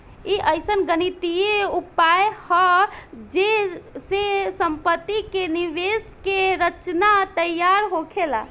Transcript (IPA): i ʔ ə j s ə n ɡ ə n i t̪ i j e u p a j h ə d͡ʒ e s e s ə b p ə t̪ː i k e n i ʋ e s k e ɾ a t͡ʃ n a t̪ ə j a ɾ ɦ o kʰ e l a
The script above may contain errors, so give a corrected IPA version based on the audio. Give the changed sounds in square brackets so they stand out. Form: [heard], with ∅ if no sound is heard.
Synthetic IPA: i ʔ ə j s ə n ɡ ə n i t̪ i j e u p a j h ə d͡ʒ e s e s ə [m] p ə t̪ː i k e n i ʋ e s k e ɾ [ə] t͡ʃ n a t̪ ə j a ɾ ɦ o kʰ e l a